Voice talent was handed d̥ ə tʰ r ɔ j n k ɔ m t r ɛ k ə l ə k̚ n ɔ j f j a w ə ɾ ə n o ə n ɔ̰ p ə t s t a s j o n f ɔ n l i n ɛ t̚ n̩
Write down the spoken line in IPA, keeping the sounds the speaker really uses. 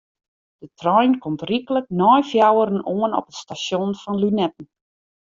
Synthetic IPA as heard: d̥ ə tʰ r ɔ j n k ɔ m t r i k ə l ə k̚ n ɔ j f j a w ə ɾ ə n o ə n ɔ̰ p ə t s t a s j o n f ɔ n l y n ɛ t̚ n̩